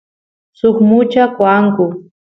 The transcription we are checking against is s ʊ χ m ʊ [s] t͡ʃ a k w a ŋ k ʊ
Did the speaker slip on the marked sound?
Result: yes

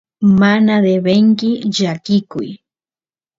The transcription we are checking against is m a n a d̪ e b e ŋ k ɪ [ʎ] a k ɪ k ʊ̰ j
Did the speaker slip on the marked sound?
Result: no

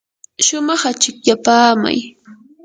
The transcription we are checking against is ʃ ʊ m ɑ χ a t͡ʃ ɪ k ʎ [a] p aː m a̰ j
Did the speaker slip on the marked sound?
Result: no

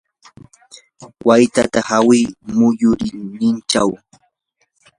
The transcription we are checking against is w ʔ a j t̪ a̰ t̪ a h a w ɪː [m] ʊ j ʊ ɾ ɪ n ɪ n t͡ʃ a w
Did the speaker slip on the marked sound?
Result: no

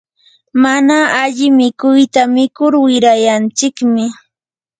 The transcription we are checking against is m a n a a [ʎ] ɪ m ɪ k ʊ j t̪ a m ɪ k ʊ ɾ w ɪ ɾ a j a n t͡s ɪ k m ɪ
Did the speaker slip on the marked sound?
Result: no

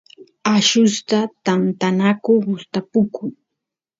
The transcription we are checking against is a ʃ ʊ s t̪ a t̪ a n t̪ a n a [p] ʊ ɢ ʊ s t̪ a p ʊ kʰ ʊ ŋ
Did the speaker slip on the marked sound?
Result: yes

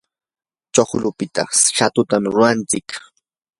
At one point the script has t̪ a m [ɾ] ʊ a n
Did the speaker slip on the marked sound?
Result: no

